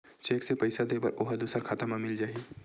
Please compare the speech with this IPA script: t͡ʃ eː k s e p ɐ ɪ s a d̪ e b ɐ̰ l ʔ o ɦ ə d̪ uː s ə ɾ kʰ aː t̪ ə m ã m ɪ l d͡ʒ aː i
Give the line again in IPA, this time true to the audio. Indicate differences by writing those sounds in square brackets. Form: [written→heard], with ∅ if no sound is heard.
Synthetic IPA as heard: t͡ʃ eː k s e p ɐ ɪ s a d̪ e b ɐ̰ [l→ɾ] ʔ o ɦ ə d̪ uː s ə ɾ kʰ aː t̪ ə m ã m ɪ l d͡ʒ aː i